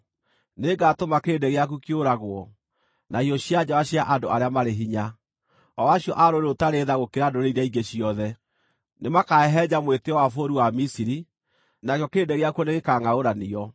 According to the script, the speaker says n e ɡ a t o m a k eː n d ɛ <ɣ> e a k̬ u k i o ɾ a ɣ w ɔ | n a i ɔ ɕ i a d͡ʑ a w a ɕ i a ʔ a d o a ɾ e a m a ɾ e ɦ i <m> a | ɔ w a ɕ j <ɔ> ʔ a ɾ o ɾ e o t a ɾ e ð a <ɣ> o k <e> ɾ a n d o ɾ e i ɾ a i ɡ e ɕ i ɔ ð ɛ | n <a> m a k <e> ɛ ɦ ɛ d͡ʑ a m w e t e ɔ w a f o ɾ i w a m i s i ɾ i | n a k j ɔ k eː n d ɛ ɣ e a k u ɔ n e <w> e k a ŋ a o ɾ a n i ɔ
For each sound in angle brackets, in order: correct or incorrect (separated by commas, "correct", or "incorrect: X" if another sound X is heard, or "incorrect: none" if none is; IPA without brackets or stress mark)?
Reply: correct, incorrect: ɲ, correct, correct, correct, incorrect: e, incorrect: a, incorrect: ɣ